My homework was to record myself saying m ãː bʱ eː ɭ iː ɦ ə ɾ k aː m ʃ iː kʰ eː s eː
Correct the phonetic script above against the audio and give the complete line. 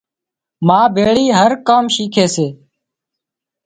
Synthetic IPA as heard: m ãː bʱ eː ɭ iː ɦ ə ɾ k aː m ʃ iː kʰ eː s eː